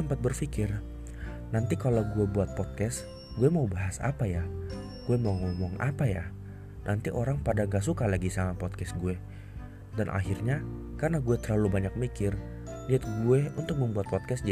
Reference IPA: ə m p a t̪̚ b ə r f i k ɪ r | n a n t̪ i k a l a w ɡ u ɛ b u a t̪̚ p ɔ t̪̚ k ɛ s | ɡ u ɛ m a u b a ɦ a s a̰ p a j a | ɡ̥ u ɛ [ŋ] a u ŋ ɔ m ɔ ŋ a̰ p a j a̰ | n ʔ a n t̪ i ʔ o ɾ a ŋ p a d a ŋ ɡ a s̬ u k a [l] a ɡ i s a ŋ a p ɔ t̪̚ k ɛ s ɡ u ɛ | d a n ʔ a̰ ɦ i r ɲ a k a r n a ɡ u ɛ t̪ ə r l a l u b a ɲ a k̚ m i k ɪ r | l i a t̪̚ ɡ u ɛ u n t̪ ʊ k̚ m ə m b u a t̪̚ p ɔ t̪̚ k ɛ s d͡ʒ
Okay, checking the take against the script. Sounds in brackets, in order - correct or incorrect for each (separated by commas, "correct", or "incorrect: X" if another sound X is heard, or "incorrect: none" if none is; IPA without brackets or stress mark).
incorrect: m, correct